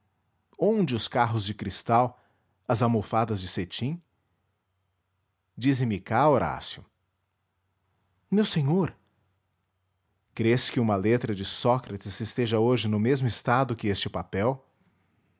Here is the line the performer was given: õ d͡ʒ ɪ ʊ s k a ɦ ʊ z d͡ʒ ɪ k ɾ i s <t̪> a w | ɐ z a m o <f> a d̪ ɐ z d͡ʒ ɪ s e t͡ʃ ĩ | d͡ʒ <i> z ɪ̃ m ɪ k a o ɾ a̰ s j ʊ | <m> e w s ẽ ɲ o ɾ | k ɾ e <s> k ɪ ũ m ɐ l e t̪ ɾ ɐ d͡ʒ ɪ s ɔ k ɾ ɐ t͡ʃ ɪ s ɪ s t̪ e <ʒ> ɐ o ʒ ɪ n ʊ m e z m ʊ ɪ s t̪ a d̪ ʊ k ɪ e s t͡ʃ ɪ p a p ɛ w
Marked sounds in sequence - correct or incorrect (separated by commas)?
correct, correct, correct, correct, correct, correct